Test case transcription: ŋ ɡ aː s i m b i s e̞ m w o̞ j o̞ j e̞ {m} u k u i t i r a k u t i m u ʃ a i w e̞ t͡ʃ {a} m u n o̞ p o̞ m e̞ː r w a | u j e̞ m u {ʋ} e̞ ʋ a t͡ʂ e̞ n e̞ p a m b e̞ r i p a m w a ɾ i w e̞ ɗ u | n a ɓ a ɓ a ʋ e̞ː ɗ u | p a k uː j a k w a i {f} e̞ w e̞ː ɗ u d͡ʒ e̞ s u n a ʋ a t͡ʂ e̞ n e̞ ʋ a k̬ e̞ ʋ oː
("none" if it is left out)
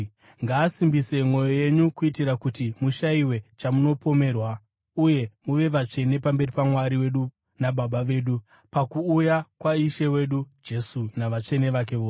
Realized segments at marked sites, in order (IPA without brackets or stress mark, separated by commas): ɲ, a, ʋ, ʃ